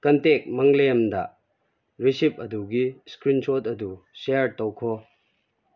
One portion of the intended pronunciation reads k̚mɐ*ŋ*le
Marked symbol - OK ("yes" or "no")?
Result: yes